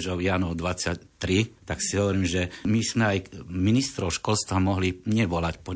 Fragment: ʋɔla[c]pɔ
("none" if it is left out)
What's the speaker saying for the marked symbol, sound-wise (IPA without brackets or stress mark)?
c